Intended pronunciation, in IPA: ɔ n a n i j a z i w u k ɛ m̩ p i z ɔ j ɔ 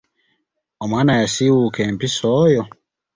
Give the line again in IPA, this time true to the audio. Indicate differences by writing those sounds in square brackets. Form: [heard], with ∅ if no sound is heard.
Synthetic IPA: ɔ [m] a n [a] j a [s] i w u k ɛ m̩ p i [s] ɔ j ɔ